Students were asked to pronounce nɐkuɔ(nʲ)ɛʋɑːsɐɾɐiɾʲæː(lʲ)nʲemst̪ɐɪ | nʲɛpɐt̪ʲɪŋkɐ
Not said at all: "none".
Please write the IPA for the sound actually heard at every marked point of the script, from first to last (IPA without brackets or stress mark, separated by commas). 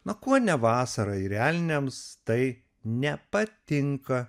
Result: nʲ, lʲ